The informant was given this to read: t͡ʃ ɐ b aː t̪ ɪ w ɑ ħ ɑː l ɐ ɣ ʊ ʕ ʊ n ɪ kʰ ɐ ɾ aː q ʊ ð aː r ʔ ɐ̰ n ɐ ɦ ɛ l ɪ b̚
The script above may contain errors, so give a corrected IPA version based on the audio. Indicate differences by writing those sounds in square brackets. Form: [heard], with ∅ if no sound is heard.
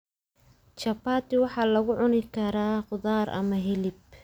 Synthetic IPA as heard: t͡ʃ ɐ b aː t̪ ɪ w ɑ ħ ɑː l ɐ ɣ ʊ ʕ ʊ n ɪ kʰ ɐ ɾ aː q ʊ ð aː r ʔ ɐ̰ [m] ɐ ɦ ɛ l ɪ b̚